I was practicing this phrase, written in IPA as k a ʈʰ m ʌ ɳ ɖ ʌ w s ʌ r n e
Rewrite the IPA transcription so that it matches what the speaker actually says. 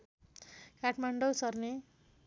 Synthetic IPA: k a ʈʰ m a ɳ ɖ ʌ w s ʌ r n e